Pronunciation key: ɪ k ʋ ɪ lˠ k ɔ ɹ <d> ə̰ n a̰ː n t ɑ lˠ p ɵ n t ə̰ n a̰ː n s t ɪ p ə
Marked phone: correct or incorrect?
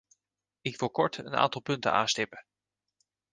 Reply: incorrect